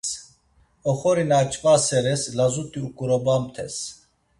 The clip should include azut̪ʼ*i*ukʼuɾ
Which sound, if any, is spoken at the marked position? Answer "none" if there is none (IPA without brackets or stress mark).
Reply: i